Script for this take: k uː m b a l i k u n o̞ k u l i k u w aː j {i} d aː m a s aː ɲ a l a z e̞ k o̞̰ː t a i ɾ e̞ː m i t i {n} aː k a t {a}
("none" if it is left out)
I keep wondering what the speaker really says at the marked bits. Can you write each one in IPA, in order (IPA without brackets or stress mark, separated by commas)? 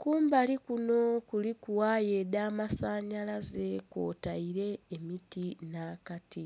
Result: e, n, i